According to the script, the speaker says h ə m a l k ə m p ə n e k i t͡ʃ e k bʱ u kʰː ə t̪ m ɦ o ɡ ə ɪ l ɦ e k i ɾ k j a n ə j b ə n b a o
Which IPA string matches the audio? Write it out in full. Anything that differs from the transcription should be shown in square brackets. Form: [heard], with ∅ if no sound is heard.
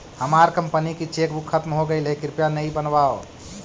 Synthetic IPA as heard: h ə m a [ɾ] k ə m p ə n [i] k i t͡ʃ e k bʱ u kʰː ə t̪ m ɦ o ɡ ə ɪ l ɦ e k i ɾ [p] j a n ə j b ə n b a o